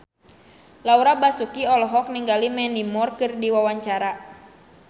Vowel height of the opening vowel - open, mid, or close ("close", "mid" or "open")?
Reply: open